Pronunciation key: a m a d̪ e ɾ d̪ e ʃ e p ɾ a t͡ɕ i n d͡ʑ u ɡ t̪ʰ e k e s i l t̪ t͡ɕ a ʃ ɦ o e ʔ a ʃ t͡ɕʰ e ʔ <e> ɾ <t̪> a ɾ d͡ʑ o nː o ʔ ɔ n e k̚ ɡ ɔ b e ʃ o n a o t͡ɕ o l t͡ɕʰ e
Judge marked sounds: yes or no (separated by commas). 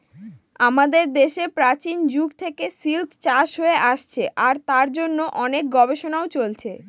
no, yes